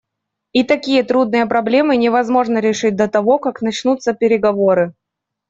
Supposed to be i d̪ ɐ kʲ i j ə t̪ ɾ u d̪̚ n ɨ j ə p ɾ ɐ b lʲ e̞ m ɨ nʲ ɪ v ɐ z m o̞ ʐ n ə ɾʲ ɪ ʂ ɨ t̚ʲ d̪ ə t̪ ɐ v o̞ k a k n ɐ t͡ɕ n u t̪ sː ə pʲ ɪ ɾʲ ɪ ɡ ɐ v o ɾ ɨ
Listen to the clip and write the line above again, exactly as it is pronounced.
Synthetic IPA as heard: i t̪ ɐ kʲ i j ə t̪ ɾ u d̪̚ n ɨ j ə p ɾ ɐ b lʲ e̞ m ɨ nʲ ɪ v ɐ z m o̞ ʐ n ə ɾʲ ɪ ʂ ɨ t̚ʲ d̪ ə t̪ ɐ v o̞ k a k n ɐ t͡ɕ n u t̪ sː ə pʲ ɪ ɾʲ ɪ ɡ ɐ v o ɾ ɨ